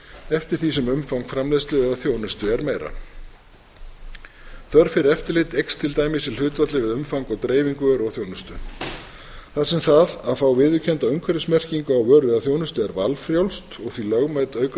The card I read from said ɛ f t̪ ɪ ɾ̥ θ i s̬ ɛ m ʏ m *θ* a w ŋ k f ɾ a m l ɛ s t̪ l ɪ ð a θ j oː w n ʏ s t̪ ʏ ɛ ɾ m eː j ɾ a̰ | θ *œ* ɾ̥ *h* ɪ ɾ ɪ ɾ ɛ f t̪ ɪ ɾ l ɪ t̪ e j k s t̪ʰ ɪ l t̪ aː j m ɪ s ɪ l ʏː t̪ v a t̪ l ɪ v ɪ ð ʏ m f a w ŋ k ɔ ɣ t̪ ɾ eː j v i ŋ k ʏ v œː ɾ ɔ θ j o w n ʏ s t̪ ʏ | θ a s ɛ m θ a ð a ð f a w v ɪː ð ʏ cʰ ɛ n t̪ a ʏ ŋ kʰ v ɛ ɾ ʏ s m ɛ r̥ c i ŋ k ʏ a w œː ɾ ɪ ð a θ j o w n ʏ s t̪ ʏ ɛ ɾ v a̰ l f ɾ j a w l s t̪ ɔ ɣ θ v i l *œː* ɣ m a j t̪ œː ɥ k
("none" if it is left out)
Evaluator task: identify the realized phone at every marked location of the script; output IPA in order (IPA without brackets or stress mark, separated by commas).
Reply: f, œ, f, œ